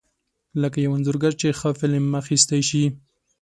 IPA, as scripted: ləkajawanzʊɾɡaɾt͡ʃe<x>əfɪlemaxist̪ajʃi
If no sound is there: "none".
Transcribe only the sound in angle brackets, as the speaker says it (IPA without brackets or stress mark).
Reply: x